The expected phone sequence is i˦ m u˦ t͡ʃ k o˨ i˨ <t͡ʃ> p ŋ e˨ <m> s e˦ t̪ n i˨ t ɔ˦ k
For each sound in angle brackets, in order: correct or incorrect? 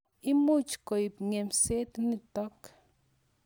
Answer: incorrect: none, correct

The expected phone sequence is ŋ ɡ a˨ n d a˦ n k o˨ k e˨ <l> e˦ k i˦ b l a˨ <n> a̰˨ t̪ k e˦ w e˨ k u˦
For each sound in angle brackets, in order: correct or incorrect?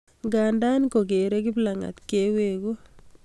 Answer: incorrect: ɾ, incorrect: ŋ

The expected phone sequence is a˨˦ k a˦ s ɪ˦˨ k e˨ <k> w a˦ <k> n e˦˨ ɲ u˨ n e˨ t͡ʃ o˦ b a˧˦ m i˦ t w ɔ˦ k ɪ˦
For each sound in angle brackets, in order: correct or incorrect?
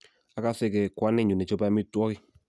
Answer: correct, incorrect: none

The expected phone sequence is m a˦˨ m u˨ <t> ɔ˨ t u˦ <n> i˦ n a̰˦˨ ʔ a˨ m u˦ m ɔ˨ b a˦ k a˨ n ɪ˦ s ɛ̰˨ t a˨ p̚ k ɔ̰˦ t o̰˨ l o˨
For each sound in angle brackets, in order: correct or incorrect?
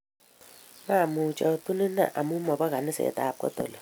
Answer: incorrect: t͡ʃ, correct

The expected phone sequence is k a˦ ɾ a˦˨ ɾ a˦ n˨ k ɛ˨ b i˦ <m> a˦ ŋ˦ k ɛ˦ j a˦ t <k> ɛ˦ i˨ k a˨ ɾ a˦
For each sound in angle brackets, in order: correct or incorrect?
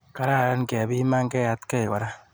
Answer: correct, correct

